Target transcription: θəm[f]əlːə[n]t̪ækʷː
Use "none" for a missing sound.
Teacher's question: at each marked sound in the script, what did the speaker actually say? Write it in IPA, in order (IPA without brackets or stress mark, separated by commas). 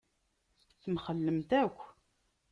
χ, m